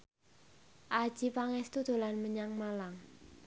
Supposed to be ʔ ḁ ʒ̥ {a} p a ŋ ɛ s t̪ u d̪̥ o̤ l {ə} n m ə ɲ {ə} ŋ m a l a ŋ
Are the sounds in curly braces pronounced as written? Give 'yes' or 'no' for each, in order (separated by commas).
no, no, no